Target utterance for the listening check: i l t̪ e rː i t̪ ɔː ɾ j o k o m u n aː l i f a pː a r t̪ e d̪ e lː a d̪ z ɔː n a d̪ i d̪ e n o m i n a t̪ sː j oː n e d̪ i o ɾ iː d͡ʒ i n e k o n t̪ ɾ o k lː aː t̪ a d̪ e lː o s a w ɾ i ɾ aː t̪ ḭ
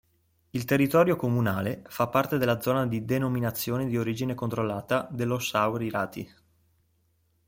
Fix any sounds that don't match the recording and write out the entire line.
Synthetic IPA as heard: i l t̪ e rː i t̪ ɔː ɾ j o k o m u n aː l e f a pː a r t̪ e d̪ e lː a d̪ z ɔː n a d̪ i d̪ e n o m i n a t̪ sː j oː n e d̪ i o ɾ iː d͡ʒ i n e k o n t̪ ɾ o lː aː t̪ a d̪ e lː o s a w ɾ i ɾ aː t̪ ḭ